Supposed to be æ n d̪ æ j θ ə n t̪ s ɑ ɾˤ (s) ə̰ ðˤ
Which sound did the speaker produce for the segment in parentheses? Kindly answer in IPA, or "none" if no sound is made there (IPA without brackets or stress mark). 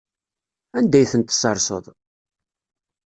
s